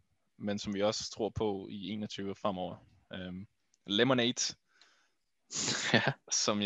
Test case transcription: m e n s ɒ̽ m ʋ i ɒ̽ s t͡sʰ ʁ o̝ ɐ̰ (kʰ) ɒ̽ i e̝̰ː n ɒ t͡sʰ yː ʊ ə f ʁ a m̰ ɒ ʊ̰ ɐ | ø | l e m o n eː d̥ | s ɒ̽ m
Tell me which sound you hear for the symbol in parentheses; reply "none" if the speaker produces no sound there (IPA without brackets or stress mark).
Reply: pʰ